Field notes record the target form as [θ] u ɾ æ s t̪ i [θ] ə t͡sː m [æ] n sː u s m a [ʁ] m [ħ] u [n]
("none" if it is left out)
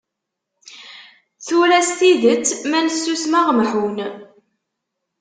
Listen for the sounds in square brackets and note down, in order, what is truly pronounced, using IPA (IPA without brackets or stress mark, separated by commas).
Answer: θ, ð, æ, ʁ, ħ, n